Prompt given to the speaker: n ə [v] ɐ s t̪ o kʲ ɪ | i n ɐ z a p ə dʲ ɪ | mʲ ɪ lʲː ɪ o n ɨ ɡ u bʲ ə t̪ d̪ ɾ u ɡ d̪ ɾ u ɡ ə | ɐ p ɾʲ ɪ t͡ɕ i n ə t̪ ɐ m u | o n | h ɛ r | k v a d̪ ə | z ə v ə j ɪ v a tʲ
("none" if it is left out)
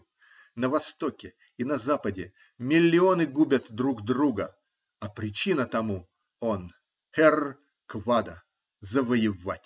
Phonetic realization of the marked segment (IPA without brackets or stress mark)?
v